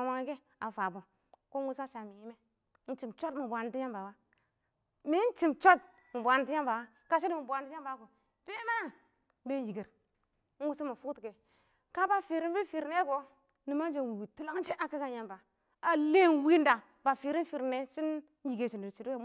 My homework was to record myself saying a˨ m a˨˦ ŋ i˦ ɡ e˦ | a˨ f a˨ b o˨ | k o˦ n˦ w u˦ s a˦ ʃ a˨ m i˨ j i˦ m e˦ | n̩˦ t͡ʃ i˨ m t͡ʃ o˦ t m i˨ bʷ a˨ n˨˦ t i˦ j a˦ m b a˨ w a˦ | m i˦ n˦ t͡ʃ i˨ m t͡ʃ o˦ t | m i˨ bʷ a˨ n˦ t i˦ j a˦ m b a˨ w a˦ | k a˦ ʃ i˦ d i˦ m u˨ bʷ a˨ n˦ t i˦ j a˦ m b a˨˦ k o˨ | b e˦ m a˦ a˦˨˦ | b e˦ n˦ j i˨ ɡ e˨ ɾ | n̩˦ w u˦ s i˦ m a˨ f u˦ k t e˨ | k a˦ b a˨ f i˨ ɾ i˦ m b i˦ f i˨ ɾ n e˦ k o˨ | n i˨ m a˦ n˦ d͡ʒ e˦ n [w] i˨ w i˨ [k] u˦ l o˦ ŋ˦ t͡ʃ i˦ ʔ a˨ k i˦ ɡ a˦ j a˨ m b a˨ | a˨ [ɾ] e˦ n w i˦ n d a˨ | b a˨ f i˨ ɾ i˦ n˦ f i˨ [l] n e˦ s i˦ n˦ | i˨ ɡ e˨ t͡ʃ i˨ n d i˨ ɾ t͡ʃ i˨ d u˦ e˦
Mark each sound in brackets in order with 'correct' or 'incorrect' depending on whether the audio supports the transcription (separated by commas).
correct, incorrect, incorrect, incorrect